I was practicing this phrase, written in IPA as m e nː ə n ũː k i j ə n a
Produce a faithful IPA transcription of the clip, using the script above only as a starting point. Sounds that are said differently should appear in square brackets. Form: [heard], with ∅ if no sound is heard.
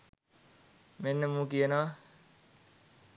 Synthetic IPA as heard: m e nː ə [m] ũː k i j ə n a